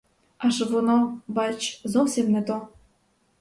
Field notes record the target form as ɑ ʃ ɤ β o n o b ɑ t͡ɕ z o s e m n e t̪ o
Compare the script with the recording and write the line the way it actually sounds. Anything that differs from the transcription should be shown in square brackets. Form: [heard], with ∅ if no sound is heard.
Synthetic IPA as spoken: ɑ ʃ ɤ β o n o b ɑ t͡ɕ z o s e m n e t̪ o